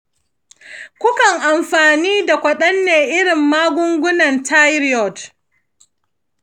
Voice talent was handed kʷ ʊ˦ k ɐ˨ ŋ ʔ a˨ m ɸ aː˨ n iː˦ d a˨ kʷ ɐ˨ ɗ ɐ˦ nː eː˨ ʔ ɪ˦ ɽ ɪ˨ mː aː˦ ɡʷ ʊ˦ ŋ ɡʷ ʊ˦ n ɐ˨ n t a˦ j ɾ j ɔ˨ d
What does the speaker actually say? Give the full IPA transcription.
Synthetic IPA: kʷ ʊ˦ k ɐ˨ ŋ ʔ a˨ m ɸ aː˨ n iː˦ d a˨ kʷ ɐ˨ ɗ ɐ˦ nː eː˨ ʔ ɪ˦ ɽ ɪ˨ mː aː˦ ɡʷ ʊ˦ ŋ ɡʷ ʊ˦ n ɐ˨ n t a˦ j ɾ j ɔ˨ d